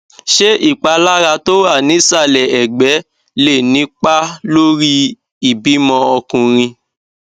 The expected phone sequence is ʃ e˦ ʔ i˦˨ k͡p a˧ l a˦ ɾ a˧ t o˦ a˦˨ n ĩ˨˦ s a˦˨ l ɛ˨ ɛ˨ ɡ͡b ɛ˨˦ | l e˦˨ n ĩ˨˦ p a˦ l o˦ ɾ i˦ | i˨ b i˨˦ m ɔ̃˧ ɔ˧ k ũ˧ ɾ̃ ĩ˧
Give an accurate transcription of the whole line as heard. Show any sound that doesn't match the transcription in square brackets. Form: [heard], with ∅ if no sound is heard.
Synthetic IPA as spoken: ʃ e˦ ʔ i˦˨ k͡p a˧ l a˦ ɾ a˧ t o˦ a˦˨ n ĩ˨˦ s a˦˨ l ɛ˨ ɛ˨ ɡ͡b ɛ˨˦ | l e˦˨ n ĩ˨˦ [k͡p] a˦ l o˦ ɾ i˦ | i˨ b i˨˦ m ɔ̃˧ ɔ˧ k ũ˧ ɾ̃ ĩ˧